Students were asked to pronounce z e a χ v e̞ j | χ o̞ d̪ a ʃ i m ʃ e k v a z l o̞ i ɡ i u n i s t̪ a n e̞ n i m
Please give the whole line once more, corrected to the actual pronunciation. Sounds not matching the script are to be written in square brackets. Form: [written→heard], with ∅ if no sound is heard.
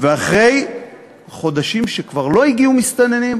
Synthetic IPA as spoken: [z→v] e a χ [v→ʁ] e̞ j | χ o̞ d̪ a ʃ i m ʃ e k v a [z→ʁ] l o̞ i ɡ i u [n→m] i s t̪ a n e̞ n i m